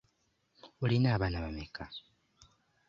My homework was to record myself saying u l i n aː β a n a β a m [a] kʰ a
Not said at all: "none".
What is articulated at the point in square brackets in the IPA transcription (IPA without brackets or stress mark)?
e